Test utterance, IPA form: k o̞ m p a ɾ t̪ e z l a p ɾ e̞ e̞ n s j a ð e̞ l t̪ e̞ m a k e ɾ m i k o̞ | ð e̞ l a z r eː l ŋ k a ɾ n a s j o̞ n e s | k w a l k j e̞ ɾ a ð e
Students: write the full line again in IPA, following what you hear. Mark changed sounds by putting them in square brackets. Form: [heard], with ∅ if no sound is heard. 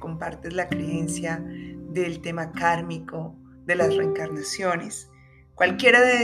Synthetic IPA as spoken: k o̞ m p a ɾ t̪ e z l a [k] ɾ e̞ e̞ n s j a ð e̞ l t̪ e̞ m a k [a] ɾ m i k o̞ | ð e̞ l a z r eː [∅] ŋ k a ɾ n a s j o̞ n e s | k w a l k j e̞ ɾ a ð e